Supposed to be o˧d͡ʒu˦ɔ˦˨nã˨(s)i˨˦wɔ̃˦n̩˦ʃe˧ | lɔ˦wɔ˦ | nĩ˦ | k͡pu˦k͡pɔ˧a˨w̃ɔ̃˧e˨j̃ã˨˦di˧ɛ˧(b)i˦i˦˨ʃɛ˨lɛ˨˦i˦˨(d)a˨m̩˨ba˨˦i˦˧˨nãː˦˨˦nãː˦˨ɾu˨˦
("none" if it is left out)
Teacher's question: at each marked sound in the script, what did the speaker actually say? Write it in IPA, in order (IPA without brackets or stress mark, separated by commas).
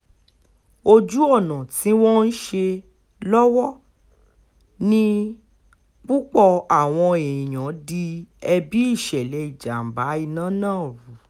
t, b, d͡ʒ